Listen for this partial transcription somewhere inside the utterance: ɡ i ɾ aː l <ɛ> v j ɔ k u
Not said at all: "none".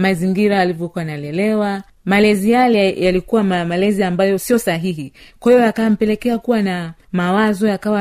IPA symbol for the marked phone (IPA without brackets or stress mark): i